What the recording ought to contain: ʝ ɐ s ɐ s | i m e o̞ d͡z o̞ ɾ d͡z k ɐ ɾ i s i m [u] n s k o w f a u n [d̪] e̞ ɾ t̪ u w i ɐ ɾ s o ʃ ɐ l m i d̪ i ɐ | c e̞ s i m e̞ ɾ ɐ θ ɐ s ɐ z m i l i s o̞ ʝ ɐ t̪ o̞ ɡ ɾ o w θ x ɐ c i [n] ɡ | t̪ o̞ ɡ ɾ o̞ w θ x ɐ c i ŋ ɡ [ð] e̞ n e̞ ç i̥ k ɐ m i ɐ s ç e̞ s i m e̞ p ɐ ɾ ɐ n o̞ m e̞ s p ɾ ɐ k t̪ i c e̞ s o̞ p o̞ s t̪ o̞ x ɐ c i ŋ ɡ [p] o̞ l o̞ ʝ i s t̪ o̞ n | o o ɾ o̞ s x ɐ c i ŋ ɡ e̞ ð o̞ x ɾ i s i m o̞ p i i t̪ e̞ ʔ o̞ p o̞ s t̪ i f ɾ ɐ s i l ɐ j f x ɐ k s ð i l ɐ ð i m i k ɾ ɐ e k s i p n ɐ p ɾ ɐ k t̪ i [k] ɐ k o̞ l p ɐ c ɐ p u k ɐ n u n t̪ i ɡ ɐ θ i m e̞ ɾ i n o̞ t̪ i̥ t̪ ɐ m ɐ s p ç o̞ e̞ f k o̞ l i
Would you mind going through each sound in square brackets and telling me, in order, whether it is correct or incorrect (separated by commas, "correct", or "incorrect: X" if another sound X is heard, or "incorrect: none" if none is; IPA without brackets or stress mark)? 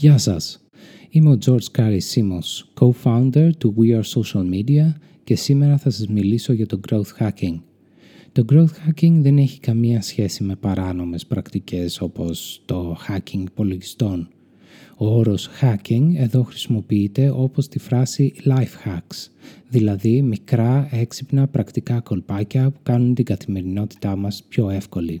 incorrect: o, correct, incorrect: ŋ, correct, correct, correct